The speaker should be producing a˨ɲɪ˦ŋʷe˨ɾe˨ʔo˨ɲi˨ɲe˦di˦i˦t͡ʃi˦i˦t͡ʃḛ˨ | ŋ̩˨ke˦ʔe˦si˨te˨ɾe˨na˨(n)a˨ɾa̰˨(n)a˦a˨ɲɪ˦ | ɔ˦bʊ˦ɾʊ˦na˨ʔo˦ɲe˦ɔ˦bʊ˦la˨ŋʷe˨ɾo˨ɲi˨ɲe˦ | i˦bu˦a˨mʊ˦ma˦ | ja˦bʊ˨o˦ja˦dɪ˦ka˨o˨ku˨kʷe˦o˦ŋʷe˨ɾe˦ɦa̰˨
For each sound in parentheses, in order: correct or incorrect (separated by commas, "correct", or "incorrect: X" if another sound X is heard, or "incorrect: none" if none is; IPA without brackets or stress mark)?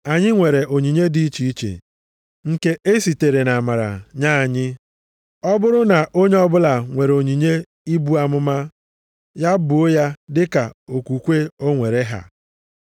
incorrect: m, incorrect: ɲ